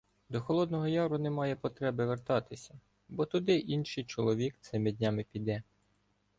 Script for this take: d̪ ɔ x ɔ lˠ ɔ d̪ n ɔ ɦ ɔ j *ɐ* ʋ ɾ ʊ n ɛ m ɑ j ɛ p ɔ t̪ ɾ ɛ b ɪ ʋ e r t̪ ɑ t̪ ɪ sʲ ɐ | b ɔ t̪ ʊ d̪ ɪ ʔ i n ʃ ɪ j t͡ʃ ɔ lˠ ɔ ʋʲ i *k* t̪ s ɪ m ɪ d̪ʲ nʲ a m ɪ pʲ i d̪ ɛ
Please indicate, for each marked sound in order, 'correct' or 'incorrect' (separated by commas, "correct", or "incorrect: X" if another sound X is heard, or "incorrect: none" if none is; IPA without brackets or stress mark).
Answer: incorrect: ɑ, correct